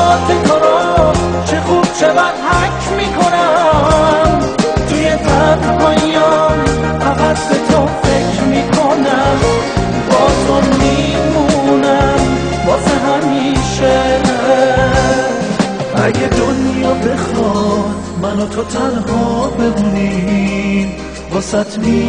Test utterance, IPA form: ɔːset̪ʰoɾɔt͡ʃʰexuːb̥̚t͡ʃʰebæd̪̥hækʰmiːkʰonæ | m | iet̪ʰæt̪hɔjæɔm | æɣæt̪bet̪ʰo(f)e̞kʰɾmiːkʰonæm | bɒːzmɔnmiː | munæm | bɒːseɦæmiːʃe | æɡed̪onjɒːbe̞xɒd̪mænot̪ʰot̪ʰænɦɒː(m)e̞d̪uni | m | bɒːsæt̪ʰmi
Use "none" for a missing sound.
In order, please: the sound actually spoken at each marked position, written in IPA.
f, b

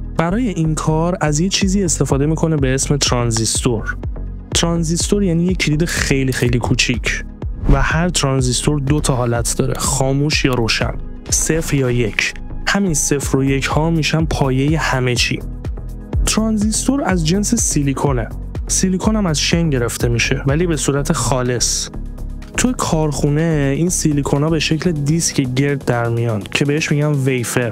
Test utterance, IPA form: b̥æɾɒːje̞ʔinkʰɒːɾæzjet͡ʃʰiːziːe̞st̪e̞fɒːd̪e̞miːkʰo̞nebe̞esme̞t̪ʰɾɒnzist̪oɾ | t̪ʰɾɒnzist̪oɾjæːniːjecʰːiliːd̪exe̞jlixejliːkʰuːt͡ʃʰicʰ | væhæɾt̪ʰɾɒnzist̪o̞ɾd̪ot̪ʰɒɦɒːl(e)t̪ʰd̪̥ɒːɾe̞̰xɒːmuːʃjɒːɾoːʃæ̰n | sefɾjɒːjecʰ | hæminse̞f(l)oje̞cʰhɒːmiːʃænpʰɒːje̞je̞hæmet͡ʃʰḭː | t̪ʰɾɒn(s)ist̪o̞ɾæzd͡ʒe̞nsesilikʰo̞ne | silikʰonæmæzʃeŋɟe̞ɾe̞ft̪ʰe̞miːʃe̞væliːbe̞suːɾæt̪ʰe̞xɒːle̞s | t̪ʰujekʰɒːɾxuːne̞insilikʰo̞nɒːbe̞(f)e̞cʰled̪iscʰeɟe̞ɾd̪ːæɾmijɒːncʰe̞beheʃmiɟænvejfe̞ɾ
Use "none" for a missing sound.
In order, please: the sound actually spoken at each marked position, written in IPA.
æ, ɾ, z, ʃ

